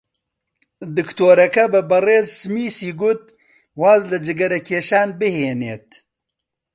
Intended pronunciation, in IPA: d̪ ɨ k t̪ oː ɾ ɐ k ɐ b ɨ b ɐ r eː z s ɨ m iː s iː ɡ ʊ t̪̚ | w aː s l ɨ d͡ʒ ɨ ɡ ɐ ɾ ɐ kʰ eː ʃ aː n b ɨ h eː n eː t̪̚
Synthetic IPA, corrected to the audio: d̪ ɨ k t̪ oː ɾ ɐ k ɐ b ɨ b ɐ r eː z s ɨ m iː s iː ɡ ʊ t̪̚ | w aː z l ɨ d͡ʒ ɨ ɡ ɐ ɾ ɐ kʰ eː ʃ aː n b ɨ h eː n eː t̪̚